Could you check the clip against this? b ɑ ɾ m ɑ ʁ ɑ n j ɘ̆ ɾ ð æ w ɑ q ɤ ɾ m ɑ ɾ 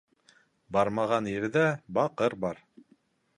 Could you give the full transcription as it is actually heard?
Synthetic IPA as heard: b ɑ ɾ m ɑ ʁ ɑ n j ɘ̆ ɾ ð æ b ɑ q ɤ ɾ b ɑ ɾ